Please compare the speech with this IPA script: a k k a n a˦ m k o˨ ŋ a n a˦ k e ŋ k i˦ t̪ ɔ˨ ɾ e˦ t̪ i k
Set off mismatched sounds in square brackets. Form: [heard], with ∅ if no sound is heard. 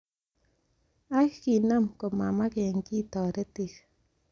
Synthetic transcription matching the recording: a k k [i] n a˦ m k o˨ [m] a [m] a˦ k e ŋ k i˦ t̪ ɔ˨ ɾ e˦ t̪ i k